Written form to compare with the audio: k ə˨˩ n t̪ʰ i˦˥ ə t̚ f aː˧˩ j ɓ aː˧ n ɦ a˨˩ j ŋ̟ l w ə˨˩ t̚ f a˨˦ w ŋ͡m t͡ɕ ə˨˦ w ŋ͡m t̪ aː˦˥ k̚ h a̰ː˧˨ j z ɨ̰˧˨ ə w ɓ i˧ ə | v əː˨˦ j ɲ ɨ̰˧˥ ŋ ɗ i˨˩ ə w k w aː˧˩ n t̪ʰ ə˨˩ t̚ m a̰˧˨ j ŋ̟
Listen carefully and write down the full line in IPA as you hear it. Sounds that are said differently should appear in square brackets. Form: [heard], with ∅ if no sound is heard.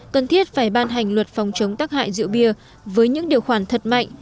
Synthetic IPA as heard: k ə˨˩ n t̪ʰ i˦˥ ə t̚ f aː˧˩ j ɓ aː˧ n ɦ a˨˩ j ŋ̟ l w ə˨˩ t̚ f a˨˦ w ŋ͡m t͡ɕ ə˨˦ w ŋ͡m t̪ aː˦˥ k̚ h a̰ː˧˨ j z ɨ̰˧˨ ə w ɓ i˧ ə | v əː˨˦ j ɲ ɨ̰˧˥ ŋ ɗ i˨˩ ə w [x] w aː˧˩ n t̪ʰ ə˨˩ t̚ m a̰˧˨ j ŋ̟